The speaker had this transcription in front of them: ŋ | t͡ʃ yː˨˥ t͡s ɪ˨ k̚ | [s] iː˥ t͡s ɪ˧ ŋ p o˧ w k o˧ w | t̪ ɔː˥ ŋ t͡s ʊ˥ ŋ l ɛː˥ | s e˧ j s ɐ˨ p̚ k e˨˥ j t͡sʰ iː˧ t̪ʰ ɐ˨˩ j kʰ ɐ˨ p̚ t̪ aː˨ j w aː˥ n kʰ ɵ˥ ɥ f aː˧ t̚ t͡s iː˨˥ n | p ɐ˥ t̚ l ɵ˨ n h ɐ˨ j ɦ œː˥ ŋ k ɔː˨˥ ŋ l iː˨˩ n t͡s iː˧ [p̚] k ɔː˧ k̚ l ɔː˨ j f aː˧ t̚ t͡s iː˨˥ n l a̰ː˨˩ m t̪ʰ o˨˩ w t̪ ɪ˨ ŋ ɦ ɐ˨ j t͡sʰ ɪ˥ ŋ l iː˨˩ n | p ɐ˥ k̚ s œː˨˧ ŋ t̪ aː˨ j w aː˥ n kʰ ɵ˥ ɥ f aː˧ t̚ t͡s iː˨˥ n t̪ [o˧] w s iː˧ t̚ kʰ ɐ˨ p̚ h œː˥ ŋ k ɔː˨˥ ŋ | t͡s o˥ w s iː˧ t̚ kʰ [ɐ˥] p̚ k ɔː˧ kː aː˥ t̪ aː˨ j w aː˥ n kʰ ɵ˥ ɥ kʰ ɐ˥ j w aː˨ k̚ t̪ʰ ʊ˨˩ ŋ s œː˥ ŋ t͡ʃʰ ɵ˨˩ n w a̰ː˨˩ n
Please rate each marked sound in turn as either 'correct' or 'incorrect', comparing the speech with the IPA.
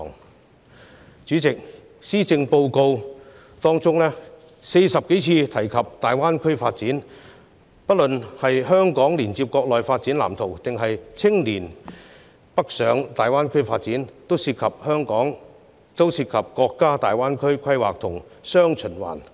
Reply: correct, correct, incorrect, incorrect

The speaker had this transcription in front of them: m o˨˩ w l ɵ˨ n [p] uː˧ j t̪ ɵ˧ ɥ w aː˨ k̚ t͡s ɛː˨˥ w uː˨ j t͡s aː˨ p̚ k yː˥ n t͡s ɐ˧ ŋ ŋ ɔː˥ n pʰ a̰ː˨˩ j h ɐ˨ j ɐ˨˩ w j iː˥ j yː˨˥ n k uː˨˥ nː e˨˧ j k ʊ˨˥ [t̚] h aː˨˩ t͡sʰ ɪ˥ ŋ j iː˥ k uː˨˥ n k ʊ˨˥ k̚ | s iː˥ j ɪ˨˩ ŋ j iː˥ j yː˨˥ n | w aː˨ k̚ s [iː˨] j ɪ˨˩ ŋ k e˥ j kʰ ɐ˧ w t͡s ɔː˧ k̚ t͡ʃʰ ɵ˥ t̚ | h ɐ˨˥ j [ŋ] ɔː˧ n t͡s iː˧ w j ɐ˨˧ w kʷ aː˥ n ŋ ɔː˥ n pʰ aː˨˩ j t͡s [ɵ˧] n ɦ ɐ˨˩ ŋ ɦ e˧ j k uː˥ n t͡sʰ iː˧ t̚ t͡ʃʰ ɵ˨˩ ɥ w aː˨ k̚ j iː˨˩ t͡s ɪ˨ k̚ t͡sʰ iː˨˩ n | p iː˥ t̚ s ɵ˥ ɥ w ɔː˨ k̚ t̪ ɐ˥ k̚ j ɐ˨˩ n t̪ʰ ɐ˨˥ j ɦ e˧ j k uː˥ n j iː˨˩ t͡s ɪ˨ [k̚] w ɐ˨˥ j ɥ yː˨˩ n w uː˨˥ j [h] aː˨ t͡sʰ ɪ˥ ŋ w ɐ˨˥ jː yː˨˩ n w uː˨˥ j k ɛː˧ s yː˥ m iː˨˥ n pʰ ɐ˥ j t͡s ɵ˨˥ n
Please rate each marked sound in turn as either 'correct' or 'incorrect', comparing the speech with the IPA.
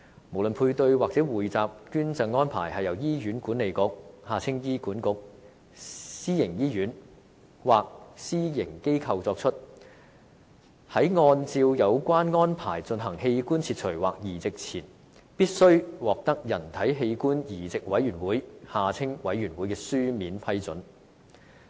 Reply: incorrect, incorrect, incorrect, correct, correct, correct, correct

